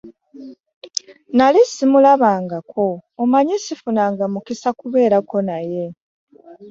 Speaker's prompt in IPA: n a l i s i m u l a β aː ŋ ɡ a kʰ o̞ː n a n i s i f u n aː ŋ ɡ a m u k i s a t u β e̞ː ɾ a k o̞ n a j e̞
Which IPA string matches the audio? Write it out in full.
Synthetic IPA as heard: n a l i s i m u l a β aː ŋ ɡ a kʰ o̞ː m a ɲ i s i f u n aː ŋ ɡ a m u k i s a k u β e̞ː ɾ a k o̞ n a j e̞